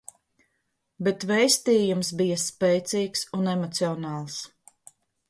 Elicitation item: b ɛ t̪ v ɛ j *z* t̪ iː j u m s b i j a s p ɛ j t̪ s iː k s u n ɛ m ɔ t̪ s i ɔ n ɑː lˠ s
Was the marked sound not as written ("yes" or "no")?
yes